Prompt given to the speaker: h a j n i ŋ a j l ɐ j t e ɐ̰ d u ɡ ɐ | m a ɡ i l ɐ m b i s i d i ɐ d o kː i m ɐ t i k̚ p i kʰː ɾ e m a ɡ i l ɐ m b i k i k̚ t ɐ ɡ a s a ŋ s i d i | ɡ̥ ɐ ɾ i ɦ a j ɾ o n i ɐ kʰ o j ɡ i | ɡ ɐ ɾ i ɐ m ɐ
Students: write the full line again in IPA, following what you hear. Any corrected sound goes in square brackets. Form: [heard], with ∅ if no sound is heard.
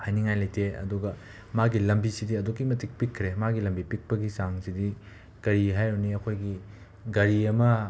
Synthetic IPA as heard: h a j n i ŋ a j l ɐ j t e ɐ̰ d u ɡ ɐ | m a ɡ i l ɐ m b i s i d i ɐ d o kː i m ɐ t i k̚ p i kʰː ɾ e m a ɡ i l ɐ m b i [p] i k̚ [p] ɐ ɡ [i] s a ŋ s i d i | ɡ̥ ɐ ɾ i ɦ a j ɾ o n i ɐ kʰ o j ɡ i | ɡ ɐ ɾ i ɐ m ɐ